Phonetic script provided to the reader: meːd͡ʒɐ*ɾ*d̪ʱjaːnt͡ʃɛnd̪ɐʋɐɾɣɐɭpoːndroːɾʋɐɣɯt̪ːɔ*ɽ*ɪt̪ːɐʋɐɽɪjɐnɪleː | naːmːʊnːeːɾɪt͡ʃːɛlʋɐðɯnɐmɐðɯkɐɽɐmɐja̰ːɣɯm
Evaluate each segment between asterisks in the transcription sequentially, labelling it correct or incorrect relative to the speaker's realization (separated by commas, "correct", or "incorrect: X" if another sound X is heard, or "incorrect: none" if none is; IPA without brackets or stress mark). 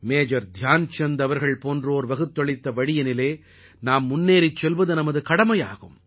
correct, incorrect: ɭ